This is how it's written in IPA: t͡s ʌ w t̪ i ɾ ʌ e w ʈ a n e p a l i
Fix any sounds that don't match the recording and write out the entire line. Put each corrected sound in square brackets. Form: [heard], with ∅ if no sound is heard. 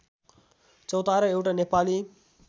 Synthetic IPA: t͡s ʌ w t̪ [a] ɾ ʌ e w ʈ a n e p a l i